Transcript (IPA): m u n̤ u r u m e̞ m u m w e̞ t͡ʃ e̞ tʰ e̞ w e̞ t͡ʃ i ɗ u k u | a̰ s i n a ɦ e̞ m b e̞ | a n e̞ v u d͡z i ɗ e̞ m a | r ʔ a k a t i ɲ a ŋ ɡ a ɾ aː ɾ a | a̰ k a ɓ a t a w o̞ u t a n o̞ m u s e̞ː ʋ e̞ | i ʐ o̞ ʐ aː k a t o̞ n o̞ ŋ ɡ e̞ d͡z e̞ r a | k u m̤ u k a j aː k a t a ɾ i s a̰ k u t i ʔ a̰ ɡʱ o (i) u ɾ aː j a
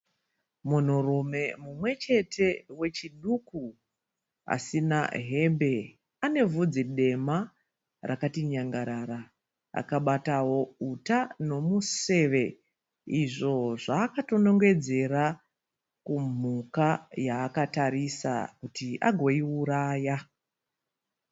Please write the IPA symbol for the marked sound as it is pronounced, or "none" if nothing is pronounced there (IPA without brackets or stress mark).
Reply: i